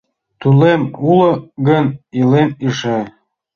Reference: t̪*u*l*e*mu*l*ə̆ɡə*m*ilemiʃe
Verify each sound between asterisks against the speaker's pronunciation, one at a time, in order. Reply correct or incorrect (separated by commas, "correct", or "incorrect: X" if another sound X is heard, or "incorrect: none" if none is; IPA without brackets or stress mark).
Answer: correct, correct, correct, incorrect: n